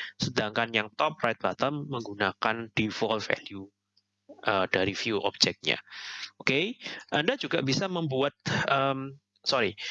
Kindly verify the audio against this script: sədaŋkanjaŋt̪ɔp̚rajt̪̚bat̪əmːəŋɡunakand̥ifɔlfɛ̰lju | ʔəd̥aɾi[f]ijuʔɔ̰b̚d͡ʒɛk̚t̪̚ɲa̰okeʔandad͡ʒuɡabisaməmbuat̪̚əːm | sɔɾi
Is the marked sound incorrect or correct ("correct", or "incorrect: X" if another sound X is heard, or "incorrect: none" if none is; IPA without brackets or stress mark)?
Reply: correct